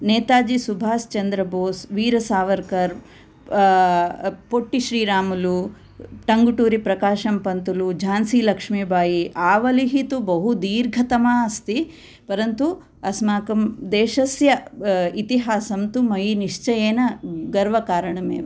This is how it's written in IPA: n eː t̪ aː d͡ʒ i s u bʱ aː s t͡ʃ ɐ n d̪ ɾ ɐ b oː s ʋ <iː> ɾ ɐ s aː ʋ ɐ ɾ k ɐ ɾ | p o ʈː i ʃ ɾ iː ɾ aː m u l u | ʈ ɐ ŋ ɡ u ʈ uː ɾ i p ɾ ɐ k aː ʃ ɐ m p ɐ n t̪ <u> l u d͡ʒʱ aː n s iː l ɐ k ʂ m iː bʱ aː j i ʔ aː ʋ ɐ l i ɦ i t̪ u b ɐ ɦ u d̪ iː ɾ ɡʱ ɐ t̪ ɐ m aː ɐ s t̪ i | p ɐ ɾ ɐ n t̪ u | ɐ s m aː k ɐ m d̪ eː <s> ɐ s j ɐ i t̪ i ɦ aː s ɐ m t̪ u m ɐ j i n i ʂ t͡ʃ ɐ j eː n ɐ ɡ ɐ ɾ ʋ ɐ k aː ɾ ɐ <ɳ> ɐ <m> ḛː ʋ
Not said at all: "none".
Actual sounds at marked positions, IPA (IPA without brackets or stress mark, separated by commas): iː, u, ʃ, ɳ, m